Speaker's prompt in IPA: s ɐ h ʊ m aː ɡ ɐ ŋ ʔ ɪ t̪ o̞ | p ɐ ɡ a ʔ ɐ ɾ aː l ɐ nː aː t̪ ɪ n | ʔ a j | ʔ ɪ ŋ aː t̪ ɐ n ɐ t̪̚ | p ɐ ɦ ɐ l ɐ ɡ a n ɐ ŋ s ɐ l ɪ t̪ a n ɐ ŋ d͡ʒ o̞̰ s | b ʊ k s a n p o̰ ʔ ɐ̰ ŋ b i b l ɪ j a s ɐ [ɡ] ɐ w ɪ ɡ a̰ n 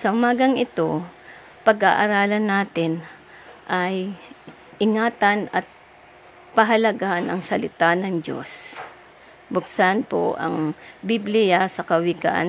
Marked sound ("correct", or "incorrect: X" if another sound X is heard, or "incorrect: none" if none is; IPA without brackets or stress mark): incorrect: k